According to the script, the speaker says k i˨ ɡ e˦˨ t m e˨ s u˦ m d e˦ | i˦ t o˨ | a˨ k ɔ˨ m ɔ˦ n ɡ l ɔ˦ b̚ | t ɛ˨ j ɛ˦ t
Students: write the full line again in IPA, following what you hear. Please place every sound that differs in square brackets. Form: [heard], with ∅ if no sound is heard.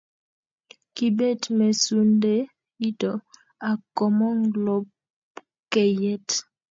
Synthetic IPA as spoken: k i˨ [b] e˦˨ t m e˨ s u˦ [n] d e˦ | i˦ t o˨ | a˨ k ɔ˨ m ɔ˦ [ŋ] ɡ l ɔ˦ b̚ | [k] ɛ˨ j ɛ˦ t